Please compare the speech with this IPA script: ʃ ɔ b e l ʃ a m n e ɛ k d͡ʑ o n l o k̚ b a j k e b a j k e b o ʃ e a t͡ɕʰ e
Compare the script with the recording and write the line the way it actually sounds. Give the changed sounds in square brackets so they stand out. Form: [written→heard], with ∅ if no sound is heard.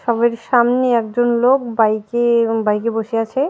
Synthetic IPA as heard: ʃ ɔ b e [l→ɾ] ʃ a m n e ɛ k d͡ʑ o n l o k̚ b a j k e b a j k e b o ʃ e a t͡ɕʰ e